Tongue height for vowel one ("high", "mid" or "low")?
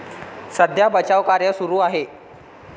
mid